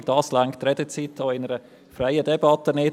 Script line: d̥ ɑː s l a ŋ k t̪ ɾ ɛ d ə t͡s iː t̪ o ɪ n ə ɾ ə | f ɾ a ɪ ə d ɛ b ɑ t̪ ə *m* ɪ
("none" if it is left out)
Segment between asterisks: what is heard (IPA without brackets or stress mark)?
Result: n